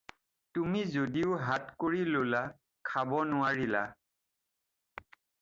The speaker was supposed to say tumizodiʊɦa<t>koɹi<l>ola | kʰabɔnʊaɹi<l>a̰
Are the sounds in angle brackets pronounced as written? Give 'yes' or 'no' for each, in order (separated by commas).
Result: yes, yes, yes